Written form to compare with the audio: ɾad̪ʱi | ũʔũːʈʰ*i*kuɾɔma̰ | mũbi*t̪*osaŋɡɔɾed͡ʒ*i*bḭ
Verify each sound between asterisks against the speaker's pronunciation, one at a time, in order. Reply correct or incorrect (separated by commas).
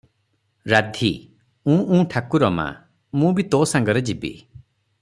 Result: incorrect, correct, correct